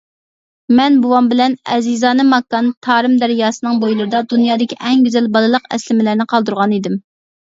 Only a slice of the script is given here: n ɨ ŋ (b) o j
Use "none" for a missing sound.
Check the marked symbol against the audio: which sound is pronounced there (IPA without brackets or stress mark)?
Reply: b